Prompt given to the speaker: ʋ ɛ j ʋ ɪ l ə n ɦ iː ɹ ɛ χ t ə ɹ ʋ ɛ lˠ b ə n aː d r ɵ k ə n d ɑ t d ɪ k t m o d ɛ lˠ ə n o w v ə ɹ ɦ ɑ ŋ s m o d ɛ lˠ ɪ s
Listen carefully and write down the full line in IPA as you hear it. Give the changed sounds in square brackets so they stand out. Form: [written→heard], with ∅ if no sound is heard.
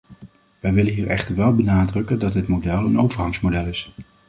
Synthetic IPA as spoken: ʋ ɛ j ʋ ɪ l ə n ɦ iː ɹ ɛ χ t ə ɹ ʋ ɛ lˠ b ə n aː d r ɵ k ə n d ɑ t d ɪ [k→∅] t m o d ɛ lˠ ə n o w v ə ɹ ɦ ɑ ŋ s m o d ɛ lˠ ɪ s